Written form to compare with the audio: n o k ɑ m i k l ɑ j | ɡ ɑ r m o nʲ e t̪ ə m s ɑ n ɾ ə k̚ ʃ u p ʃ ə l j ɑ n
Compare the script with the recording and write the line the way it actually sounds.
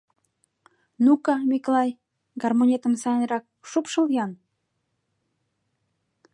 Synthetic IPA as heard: n u k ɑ m i k l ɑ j | ɡ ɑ r m o nʲ e t̪ ə m s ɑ n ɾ ɑ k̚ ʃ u p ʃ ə l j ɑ n